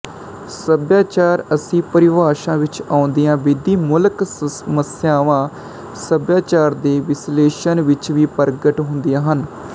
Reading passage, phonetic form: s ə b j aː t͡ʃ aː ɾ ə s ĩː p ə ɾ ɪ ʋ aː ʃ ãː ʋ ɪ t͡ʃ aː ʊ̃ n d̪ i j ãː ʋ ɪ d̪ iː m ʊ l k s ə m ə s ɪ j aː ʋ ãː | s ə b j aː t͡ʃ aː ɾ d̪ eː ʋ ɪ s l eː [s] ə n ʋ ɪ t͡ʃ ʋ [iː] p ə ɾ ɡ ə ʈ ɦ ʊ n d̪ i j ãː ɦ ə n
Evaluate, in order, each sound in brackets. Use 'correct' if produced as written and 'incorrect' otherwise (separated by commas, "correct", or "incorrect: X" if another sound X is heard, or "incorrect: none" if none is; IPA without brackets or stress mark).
incorrect: ʃ, correct